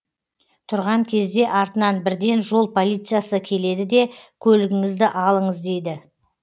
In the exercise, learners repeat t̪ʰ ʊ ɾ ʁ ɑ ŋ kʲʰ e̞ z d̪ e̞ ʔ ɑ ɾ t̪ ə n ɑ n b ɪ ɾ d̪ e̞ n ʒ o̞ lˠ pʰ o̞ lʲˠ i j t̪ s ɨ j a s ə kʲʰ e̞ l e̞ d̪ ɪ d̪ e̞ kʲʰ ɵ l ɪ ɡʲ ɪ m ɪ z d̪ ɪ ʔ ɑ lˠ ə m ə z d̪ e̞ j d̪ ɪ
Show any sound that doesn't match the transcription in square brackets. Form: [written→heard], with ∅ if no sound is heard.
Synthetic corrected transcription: t̪ʰ ʊ ɾ ʁ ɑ ŋ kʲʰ e̞ z d̪ e̞ ʔ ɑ ɾ t̪ ə n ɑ n b ɪ ɾ d̪ e̞ n ʒ o̞ lˠ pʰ o̞ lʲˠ i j t̪ s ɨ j a s ə kʲʰ e̞ l e̞ d̪ ɪ d̪ e̞ kʲʰ ɵ l ɪ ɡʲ ɪ [m→ŋ] ɪ z d̪ ɪ ʔ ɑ lˠ ə [m→ɴ] ə z d̪ e̞ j d̪ ɪ